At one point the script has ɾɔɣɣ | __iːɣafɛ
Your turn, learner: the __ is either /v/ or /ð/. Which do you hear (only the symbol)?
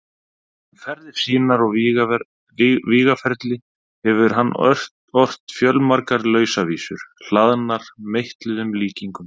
v